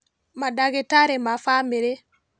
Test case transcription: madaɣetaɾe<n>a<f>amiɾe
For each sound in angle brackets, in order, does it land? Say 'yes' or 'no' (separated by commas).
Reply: no, yes